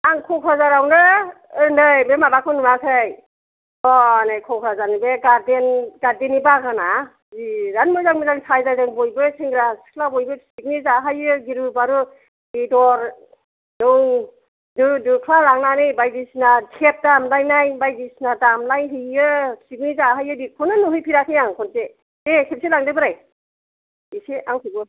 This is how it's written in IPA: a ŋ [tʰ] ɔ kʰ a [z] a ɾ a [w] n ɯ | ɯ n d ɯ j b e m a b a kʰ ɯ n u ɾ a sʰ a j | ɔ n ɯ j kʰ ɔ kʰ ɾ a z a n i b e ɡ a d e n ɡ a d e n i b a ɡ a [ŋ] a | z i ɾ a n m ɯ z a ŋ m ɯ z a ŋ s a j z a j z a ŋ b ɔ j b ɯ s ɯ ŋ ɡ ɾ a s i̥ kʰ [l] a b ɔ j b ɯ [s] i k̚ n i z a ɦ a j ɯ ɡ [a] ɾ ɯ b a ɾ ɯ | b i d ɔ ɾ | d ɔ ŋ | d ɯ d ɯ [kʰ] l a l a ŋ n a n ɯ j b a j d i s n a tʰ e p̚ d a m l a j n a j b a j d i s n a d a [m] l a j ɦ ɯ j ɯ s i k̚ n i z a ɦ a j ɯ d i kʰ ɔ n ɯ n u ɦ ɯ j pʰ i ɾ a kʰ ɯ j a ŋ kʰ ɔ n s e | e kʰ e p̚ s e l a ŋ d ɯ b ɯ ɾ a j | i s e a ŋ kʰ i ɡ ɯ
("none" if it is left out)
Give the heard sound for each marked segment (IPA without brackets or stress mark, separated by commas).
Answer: kʰ, z, w, n, l, s, i, kʰ, m